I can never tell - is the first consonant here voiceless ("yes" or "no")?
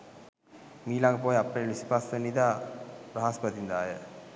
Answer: no